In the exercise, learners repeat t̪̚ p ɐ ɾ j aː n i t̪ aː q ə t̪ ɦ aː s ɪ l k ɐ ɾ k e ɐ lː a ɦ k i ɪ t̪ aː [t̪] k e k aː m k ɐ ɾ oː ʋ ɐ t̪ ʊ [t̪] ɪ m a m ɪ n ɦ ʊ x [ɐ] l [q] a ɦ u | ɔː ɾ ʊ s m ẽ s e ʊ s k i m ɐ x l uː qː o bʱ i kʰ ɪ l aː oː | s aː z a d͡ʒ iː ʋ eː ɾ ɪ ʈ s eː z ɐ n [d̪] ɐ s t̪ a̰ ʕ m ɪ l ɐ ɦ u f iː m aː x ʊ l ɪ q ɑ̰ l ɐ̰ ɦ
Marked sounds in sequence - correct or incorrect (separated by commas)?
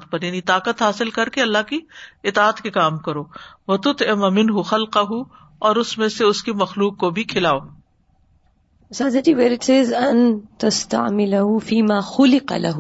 correct, correct, correct, correct, incorrect